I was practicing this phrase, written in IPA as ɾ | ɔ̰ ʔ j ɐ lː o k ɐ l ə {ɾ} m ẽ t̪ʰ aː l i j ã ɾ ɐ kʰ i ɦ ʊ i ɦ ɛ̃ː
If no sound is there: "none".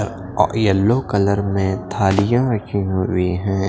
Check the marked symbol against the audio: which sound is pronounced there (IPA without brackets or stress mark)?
ɾ